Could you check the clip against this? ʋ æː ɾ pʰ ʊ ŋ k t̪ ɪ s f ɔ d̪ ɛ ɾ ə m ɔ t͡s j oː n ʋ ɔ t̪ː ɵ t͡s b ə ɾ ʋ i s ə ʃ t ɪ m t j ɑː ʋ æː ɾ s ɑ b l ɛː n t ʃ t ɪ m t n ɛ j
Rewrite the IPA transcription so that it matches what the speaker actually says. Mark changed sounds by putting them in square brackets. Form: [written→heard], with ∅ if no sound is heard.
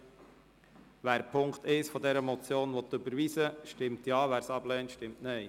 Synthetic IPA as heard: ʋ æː ɾ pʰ ʊ ŋ k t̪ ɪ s f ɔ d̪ ɛ ɾ ə m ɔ t͡s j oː n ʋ ɔ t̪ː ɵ [t͡s→∅] b ə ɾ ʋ i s ə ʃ t ɪ m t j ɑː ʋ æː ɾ s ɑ b l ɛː n t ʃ t ɪ m t n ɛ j